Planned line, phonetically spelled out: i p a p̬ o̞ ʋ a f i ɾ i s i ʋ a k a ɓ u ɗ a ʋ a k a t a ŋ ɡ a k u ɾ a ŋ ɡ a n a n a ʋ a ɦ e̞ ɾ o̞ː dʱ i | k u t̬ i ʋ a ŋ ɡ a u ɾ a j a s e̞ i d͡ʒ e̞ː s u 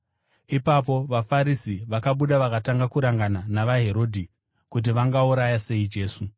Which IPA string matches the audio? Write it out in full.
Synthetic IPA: i p a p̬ o̞ ʋ a f a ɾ i s i ʋ a k a ɓ u ɗ a ʋ a k a t a ŋ ɡ a k u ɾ a ŋ ɡ a n a n a ʋ a ɦ e̞ ɾ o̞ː dʱ i | k u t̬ i ʋ a ŋ ɡ a u ɾ a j a s e̞ i d͡ʒ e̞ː s u